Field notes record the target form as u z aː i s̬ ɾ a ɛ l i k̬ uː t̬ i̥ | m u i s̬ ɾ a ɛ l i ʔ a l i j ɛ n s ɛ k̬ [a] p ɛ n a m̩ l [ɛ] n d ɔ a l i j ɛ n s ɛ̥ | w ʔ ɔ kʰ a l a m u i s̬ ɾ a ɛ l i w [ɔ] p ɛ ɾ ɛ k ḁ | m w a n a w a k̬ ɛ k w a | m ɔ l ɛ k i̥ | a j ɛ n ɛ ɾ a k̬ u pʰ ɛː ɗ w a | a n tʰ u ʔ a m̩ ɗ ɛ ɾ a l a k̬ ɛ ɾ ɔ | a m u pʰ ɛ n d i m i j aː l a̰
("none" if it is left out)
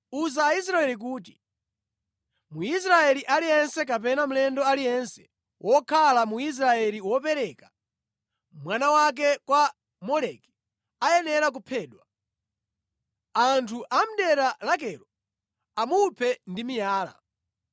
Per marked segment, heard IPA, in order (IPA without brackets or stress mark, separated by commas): a, ɛ, ɔ